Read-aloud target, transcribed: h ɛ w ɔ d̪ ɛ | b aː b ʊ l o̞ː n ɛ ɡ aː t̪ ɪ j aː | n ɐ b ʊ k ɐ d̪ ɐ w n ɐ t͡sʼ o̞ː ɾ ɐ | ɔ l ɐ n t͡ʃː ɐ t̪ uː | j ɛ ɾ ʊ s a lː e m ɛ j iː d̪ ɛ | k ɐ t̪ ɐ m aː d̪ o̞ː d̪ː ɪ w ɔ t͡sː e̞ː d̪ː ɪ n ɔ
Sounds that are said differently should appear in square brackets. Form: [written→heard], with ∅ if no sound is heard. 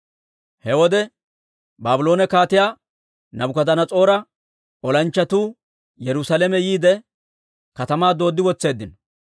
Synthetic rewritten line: h ɛ w ɔ d̪ ɛ | b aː b ʊ l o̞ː n ɛ [ɡ→k] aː t̪ ɪ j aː | n ɐ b ʊ k ɐ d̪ ɐ [w→∅] n ɐ t͡sʼ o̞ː ɾ ɐ | ɔ l ɐ n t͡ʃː ɐ t̪ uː | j ɛ ɾ ʊ s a [lː→l] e m ɛ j iː d̪ ɛ | k ɐ t̪ ɐ m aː d̪ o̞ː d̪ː ɪ w ɔ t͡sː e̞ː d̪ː ɪ n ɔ

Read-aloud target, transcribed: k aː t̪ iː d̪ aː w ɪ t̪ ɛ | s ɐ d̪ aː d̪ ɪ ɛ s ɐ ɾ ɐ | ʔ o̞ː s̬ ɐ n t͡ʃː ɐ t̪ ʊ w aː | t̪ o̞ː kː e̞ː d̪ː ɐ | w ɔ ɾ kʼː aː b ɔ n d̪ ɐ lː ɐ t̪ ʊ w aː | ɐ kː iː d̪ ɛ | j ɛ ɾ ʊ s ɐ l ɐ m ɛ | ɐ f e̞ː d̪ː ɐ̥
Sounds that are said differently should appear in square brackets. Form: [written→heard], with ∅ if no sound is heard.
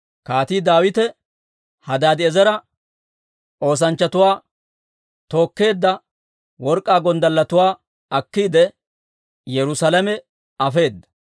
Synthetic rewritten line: k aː t̪ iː d̪ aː w ɪ t̪ ɛ | [s→h] ɐ d̪ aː d̪ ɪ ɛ [s→z] ɐ ɾ ɐ | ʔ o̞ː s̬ ɐ n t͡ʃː ɐ t̪ ʊ w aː | t̪ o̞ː kː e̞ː d̪ː ɐ | w ɔ ɾ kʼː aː [b→ɡ] ɔ n d̪ ɐ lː ɐ t̪ ʊ w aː | ɐ kː iː d̪ ɛ | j ɛ ɾ ʊ s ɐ l ɐ m ɛ | ɐ f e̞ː d̪ː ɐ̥

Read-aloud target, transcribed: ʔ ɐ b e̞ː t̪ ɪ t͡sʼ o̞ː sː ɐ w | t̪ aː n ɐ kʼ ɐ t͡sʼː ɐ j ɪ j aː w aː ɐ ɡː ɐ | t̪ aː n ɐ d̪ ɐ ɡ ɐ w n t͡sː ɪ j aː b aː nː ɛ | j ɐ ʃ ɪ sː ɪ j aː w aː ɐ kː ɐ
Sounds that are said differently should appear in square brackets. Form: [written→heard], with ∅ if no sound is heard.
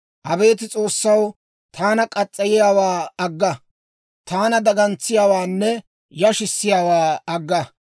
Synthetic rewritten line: ʔ ɐ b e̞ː t̪ ɪ t͡sʼ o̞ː sː ɐ w | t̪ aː n ɐ kʼ ɐ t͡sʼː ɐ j ɪ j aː w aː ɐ ɡː ɐ | t̪ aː n ɐ d̪ ɐ ɡ ɐ [w→∅] n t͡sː ɪ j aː [b→w] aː nː ɛ | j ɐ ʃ ɪ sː ɪ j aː w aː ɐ [kː→ɡː] ɐ

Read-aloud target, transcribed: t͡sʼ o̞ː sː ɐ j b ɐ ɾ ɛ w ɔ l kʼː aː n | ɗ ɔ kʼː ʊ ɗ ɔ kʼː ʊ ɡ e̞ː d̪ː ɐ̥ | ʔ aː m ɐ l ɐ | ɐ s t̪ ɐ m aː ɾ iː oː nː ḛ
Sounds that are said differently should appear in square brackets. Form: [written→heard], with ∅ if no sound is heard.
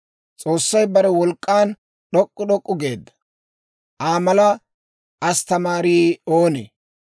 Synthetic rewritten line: t͡sʼ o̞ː sː ɐ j b ɐ ɾ ɛ w ɔ l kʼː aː n | ɗ ɔ kʼː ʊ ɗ ɔ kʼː ʊ ɡ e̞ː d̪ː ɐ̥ | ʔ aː m ɐ l ɐ | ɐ s t̪ ɐ m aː ɾ iː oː [nː→n] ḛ

